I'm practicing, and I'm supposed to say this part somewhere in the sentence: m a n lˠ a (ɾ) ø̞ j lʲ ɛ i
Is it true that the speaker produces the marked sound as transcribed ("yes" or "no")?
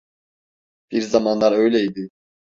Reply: yes